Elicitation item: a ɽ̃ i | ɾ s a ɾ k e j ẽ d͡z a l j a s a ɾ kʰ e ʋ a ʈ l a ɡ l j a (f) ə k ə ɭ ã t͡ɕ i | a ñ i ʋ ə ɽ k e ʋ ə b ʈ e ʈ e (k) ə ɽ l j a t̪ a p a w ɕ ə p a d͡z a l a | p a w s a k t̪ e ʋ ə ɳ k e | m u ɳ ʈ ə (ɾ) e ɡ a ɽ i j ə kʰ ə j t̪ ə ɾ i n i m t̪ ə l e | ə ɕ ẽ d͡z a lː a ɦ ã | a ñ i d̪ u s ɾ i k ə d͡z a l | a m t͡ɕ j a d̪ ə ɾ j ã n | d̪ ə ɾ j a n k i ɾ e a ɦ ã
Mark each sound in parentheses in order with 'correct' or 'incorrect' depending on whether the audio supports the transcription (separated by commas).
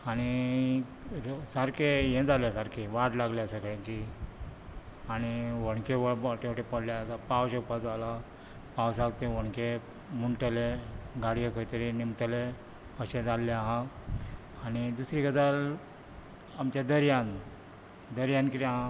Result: incorrect, incorrect, incorrect